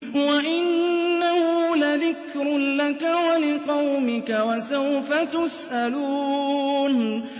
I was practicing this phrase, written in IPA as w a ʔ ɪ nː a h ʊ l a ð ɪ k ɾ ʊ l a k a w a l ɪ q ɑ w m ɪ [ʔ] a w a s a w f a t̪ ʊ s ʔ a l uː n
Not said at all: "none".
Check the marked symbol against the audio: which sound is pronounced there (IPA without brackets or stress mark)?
k